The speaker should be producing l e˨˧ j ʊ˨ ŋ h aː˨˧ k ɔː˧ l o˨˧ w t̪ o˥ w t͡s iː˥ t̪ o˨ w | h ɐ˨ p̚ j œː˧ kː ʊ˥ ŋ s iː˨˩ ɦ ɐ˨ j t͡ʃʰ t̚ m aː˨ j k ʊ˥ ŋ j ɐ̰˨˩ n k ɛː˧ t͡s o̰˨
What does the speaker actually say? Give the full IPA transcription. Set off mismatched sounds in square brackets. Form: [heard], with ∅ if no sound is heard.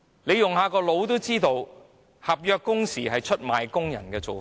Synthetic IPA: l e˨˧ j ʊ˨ ŋ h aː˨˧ k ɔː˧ l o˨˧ w t̪ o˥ w t͡s iː˥ t̪ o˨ w | h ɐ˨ p̚ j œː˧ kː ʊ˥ ŋ s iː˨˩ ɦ ɐ˨ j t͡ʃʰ t̚ m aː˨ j k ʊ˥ ŋ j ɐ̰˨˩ n k ɛː˧ t͡s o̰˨